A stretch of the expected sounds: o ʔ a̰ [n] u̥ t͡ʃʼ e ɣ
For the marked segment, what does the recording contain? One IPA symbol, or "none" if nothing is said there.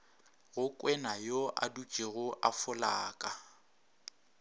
d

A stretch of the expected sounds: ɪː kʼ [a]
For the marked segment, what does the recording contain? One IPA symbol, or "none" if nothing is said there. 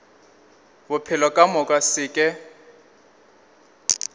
ɛ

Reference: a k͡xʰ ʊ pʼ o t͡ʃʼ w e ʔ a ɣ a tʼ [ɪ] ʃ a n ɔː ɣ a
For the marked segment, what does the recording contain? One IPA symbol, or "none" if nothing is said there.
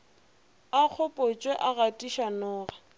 i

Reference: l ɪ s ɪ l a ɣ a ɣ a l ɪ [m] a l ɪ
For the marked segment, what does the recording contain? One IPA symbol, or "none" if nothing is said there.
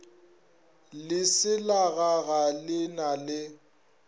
n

